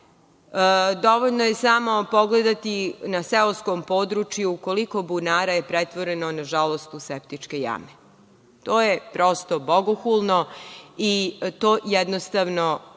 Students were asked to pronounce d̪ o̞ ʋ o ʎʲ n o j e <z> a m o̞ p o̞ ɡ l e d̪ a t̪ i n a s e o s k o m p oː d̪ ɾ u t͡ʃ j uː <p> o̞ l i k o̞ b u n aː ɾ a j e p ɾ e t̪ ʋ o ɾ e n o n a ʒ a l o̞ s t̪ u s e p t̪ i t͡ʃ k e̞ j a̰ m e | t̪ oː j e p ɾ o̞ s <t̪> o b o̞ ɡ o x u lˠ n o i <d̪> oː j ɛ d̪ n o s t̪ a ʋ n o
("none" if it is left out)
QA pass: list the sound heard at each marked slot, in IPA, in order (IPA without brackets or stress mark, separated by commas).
s, k, t̪, t̪